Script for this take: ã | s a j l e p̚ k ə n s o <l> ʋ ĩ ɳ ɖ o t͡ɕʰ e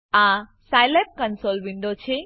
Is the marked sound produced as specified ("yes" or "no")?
yes